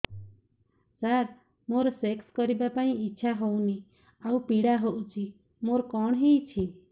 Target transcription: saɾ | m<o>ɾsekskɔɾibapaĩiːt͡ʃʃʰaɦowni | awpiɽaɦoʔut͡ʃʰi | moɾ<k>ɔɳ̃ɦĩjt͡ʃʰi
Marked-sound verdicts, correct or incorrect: correct, correct

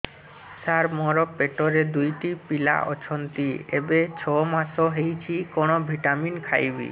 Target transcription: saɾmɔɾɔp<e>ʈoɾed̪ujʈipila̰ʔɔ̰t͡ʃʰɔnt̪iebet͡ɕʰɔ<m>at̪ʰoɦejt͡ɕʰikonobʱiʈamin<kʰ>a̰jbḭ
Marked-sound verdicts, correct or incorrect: correct, correct, correct

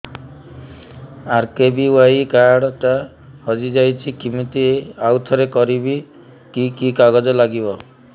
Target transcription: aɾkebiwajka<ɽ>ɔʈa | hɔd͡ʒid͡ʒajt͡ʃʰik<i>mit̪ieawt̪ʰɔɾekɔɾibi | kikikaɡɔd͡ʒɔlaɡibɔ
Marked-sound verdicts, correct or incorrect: correct, correct

